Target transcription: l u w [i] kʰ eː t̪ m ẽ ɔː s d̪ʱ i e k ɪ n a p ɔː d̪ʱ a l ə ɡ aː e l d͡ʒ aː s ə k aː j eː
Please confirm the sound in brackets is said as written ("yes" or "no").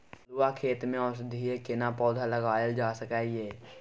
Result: no